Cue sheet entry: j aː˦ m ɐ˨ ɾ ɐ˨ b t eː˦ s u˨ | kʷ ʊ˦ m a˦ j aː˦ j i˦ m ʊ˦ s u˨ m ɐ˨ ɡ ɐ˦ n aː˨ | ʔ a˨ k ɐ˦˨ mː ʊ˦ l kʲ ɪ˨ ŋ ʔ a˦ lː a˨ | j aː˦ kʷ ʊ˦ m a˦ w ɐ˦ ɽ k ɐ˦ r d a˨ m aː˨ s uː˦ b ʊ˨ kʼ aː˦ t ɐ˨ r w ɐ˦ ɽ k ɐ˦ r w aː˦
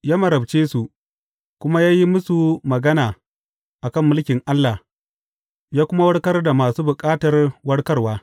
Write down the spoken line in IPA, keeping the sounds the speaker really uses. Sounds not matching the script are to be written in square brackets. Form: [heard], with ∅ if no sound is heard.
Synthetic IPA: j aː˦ m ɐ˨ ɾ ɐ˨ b [t͡ʃ] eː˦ s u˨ | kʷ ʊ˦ m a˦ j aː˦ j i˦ m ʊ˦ s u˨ m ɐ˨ ɡ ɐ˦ n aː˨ | ʔ a˨ k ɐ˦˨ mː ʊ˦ l kʲ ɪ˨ ŋ ʔ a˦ lː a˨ | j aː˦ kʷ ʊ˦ m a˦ w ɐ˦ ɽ k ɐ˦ r d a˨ m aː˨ s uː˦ b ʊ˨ kʼ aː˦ t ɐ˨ r w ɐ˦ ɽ k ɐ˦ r w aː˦

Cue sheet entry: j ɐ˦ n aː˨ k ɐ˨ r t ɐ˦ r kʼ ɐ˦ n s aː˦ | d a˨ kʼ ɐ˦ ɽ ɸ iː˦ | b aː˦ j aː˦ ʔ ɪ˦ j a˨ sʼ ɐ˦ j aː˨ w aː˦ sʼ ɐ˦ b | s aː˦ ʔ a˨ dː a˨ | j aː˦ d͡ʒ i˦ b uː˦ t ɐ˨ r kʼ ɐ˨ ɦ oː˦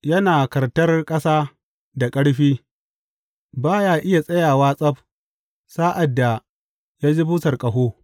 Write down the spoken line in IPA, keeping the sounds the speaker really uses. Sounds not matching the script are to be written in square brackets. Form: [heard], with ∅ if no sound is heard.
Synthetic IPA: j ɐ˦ n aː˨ k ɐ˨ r t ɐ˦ r kʼ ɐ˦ [∅] s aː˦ | d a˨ kʼ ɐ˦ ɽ ɸ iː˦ | b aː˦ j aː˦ ʔ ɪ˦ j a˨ sʼ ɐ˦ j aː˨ w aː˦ sʼ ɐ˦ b | s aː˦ ʔ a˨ dː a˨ | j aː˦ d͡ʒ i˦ b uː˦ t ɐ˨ r kʼ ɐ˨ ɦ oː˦

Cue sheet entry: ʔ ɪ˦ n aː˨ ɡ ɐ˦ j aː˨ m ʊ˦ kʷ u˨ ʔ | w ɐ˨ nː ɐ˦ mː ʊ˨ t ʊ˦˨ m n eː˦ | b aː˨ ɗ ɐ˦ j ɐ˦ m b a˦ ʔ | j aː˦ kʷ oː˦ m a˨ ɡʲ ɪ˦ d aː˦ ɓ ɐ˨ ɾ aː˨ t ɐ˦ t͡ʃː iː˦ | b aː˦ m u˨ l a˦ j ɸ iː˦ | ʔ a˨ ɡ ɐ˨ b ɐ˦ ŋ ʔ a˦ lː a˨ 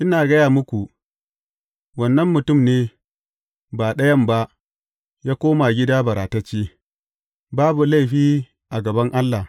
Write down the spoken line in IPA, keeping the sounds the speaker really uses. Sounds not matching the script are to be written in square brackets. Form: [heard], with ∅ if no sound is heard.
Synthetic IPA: ʔ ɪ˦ n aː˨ ɡ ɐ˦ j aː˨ m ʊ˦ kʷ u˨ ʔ | w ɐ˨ nː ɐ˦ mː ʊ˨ t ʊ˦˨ m n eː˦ | b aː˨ ɗ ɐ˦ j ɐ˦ m b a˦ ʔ | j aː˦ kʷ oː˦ m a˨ ɡʲ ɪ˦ d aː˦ [b] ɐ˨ ɾ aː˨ t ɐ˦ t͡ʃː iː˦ | b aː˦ [b] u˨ l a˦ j ɸ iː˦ | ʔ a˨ ɡ ɐ˨ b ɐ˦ ŋ ʔ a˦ lː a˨

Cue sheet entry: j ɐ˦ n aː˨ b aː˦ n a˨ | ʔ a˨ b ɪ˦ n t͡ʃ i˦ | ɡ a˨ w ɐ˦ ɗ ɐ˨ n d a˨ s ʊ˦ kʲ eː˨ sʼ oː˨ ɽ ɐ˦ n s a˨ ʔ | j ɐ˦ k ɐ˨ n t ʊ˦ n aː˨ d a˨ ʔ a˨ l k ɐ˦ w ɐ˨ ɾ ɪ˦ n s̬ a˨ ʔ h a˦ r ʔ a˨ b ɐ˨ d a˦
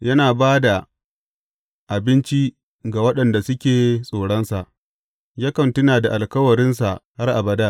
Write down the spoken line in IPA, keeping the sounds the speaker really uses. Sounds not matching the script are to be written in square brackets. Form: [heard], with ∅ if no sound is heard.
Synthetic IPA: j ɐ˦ n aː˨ b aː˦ [d] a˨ | ʔ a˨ b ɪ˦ n t͡ʃ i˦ | ɡ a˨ w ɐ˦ ɗ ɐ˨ n d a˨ s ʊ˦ kʲ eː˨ sʼ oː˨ ɽ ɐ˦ n s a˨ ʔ | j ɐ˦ k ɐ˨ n t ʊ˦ n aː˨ d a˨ ʔ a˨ l k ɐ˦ w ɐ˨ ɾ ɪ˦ n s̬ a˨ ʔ h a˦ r ʔ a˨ b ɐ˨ d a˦

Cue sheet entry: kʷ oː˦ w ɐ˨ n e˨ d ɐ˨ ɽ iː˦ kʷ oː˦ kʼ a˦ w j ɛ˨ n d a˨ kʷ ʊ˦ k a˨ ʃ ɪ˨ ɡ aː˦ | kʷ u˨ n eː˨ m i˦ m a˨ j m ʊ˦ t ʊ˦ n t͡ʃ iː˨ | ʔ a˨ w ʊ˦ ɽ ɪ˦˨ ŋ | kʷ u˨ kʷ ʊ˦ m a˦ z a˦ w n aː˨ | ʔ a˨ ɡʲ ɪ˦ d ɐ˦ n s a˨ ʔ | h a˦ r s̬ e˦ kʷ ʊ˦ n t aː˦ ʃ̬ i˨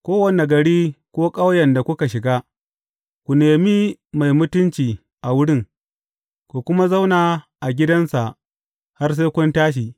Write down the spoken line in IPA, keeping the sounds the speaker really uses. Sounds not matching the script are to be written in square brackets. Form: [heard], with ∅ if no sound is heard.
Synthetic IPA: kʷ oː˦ w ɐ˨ n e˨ [ɡ] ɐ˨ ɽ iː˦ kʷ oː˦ kʼ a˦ w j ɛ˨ n d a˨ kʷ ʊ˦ k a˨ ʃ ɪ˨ ɡ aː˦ | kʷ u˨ n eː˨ m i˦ m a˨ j m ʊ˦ t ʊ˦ n t͡ʃ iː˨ | ʔ a˨ w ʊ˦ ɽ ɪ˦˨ ŋ | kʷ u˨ kʷ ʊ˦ m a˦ z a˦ w n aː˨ | ʔ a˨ ɡʲ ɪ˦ d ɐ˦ n s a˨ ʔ | h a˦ r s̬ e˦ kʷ ʊ˦ n t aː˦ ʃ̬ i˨

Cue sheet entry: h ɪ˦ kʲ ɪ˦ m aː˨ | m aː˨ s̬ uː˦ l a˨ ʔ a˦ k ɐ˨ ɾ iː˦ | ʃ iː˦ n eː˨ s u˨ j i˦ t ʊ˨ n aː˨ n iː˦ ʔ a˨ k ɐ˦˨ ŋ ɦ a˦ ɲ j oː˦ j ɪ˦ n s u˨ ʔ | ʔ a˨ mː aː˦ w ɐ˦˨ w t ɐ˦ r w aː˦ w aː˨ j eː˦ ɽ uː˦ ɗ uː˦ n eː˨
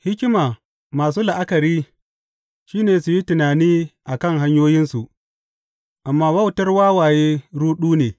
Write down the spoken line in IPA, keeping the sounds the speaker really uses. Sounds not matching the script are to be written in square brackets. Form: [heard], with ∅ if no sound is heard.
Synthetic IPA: h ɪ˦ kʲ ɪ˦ m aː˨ | m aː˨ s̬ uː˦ l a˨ ʔ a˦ k ɐ˨ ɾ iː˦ | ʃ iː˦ n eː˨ s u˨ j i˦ t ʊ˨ n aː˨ n iː˦ ʔ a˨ k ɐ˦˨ ŋ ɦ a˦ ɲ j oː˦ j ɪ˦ n s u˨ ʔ | ʔ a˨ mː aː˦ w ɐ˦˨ w t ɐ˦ r w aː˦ w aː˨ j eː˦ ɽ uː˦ ɗ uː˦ n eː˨

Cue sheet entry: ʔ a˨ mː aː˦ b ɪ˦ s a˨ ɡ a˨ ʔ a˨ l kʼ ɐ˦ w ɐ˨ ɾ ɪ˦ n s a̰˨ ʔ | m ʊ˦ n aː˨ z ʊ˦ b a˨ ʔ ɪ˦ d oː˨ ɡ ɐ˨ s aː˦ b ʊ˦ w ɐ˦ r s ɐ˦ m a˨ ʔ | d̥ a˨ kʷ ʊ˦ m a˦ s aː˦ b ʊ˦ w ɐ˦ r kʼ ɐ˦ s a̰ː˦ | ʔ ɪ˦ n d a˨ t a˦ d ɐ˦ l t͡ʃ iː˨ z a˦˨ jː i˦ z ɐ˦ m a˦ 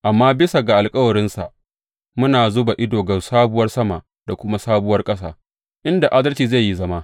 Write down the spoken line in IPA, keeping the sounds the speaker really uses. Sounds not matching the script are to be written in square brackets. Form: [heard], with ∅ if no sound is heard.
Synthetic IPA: ʔ a˨ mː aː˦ b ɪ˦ s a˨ ɡ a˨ ʔ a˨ l kʼ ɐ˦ w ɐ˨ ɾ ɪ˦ n s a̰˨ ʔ | m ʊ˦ n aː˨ z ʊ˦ b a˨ ʔ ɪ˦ d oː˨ ɡ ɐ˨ s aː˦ b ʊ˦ w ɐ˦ r s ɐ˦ m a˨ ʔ | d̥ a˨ kʷ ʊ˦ m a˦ s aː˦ b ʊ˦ w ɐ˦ r kʼ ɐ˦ s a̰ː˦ | ʔ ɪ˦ n d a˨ [ʔ] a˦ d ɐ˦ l t͡ʃ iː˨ z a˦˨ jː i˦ z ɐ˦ m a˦

